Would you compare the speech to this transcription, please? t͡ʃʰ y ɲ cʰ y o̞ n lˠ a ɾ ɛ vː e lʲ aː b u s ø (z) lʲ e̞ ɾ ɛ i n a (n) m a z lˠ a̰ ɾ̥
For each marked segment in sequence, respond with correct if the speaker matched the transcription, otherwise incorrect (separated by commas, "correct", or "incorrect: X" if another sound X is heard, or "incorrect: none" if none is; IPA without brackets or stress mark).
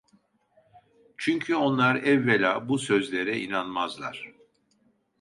correct, correct